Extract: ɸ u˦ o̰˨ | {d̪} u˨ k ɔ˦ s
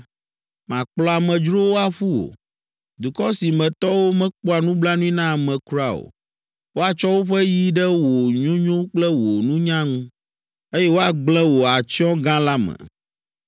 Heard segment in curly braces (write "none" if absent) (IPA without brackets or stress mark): d̪